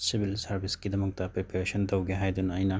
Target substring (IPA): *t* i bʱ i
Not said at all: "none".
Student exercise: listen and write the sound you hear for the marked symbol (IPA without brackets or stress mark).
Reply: s